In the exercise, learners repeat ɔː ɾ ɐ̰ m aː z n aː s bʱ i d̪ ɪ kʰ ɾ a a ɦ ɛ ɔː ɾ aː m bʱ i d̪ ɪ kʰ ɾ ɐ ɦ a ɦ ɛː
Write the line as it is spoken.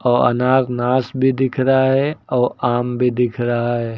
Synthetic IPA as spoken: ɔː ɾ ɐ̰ n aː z n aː s bʱ i d̪ ɪ kʰ ɾ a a ɦ ɛ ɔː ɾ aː m bʱ i d̪ ɪ kʰ ɾ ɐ ɦ a ɦ ɛː